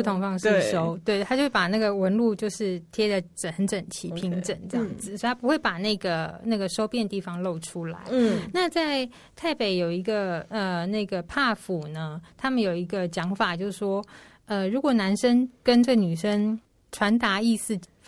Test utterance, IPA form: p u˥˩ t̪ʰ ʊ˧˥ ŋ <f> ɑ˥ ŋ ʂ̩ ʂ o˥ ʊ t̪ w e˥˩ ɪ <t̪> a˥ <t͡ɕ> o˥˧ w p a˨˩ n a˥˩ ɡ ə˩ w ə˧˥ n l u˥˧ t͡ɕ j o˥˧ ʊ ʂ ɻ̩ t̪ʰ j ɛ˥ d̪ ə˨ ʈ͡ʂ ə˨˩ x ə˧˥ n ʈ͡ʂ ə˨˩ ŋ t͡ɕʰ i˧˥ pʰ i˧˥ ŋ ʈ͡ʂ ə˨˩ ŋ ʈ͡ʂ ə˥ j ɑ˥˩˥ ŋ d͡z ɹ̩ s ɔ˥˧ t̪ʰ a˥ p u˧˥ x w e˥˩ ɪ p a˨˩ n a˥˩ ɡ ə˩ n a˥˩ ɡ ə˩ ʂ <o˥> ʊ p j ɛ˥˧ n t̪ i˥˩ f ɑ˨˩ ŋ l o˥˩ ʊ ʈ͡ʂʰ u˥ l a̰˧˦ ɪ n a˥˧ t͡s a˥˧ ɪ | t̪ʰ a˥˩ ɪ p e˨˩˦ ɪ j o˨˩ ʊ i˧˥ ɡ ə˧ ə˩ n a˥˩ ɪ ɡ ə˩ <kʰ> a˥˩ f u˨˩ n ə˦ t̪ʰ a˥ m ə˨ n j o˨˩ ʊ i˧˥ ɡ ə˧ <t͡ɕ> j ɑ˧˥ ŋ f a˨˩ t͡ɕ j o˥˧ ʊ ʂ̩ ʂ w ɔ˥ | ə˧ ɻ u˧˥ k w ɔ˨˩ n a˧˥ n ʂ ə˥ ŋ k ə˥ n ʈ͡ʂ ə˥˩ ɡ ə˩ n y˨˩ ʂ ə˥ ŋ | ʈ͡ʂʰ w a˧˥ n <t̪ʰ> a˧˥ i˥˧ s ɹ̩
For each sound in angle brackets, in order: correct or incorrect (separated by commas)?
correct, incorrect, correct, correct, incorrect, correct, incorrect